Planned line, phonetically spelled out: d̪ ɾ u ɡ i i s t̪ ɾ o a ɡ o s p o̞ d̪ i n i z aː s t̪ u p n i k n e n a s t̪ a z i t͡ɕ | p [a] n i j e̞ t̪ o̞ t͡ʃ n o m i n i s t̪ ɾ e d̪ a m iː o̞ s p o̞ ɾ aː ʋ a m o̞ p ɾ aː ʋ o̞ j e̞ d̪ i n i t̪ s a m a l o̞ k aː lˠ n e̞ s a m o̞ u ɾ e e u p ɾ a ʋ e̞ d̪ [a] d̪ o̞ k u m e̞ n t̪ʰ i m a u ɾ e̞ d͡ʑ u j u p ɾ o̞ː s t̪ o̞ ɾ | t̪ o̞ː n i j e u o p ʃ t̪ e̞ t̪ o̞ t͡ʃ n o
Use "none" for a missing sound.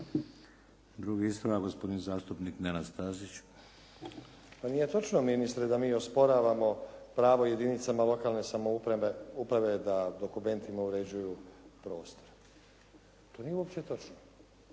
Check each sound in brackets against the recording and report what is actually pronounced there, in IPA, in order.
a, a

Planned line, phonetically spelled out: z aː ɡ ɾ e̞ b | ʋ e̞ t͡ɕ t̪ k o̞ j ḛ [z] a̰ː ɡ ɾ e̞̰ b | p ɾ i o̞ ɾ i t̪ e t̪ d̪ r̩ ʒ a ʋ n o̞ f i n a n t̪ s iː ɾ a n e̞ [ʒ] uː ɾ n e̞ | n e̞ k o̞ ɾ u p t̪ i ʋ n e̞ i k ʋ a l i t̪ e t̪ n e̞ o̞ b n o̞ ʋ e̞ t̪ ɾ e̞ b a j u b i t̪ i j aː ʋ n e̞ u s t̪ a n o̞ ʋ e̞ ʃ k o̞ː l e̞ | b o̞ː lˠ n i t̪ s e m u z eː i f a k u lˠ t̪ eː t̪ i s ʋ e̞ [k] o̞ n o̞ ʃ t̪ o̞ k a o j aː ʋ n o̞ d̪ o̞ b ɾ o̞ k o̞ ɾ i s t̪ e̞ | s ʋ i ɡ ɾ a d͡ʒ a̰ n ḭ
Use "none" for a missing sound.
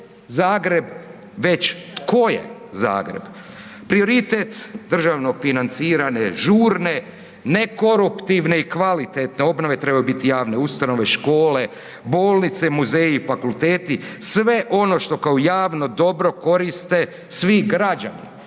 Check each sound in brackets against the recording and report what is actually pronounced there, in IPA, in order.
z, ʒ, ʔ

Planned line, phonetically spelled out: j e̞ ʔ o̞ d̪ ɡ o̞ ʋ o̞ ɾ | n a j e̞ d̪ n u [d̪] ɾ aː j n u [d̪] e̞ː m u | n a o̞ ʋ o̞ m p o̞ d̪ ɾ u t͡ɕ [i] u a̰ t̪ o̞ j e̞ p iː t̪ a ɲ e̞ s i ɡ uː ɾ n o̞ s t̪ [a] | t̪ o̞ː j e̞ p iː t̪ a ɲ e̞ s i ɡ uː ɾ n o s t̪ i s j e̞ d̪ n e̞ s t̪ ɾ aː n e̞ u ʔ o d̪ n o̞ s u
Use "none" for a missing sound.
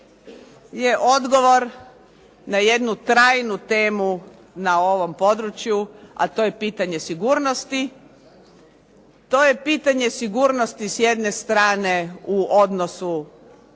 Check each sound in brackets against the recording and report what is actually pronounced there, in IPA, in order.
t̪, t̪, j, i

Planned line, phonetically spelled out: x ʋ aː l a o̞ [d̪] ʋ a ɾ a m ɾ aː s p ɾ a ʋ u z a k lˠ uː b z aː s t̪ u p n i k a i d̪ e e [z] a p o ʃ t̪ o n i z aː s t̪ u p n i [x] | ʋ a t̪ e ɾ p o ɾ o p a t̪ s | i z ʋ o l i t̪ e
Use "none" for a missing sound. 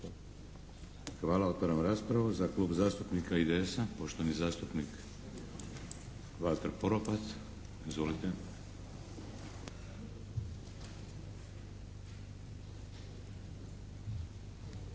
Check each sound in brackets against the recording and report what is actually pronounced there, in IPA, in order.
t̪, s, k

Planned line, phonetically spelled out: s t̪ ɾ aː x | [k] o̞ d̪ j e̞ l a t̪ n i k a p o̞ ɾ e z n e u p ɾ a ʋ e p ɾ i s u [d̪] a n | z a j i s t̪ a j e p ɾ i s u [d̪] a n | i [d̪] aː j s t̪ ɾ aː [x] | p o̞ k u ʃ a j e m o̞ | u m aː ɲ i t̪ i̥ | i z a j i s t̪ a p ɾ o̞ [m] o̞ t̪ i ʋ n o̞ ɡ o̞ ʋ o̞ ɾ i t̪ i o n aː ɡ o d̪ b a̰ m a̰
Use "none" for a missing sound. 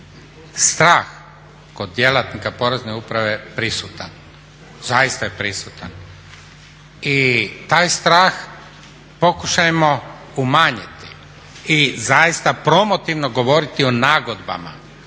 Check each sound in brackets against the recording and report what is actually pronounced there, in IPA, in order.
k, t̪, t̪, t̪, x, m

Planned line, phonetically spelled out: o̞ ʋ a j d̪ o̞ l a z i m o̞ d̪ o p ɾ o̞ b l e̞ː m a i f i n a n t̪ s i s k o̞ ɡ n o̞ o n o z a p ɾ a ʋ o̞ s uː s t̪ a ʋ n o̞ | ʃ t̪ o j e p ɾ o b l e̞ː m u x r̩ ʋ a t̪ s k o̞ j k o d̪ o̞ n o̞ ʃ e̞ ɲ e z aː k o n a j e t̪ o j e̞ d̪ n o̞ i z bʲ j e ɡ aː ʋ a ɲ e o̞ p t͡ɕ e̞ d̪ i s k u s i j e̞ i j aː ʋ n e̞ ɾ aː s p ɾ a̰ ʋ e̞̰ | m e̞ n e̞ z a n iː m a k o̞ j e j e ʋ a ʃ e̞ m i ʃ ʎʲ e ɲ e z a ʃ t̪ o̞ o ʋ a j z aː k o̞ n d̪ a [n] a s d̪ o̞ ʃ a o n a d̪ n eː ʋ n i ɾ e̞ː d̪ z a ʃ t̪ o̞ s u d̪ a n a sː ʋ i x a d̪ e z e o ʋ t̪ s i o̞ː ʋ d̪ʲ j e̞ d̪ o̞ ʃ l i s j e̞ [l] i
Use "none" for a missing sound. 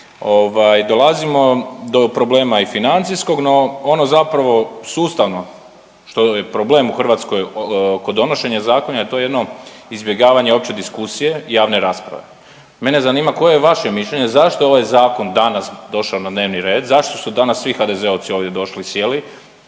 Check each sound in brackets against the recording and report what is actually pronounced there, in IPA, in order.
n, l

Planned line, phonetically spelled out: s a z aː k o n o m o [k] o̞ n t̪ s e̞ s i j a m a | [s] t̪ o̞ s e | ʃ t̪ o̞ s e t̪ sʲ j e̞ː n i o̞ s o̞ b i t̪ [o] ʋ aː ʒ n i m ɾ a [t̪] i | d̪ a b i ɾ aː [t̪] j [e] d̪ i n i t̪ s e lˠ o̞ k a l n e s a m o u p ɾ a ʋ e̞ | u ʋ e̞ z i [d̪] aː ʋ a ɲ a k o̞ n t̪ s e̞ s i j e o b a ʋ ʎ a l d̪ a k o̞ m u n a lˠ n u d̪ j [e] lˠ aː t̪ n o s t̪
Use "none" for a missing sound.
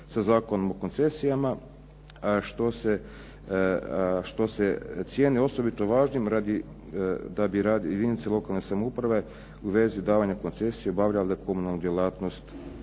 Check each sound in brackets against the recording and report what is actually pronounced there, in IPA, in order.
k, ʃ, o, d̪, d̪, e, d̪, e

